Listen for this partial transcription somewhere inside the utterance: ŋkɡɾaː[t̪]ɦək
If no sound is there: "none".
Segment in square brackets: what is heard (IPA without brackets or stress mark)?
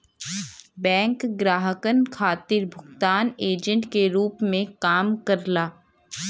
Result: none